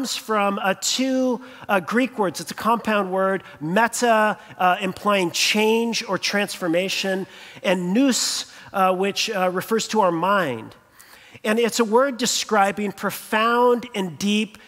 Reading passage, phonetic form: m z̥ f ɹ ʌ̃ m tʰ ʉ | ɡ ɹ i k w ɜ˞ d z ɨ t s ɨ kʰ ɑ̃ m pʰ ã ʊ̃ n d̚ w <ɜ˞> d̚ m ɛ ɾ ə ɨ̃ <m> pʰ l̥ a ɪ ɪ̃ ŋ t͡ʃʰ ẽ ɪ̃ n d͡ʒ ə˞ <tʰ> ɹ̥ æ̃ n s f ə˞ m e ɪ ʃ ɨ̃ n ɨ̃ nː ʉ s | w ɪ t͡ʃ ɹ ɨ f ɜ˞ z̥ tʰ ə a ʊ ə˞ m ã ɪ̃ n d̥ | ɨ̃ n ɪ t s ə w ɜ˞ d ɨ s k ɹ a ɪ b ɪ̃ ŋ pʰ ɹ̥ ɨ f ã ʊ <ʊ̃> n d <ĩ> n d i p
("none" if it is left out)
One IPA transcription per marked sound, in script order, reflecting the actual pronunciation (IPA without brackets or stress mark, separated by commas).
ɜ˞, m, tʰ, ʊ̃, ɨ̃